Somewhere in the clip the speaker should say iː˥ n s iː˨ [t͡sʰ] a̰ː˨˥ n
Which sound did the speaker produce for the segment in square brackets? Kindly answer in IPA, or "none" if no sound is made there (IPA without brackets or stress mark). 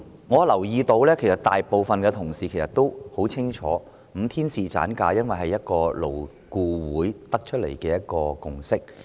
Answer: t͡s